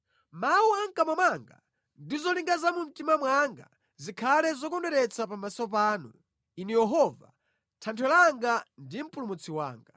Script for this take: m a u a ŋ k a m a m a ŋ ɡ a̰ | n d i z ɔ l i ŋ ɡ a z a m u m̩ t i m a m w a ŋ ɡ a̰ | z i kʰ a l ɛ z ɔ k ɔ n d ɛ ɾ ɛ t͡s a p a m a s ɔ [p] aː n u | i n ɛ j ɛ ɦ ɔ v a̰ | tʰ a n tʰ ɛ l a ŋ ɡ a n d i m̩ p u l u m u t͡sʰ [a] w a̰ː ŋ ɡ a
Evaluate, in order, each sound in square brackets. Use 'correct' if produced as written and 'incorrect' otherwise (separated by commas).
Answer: correct, incorrect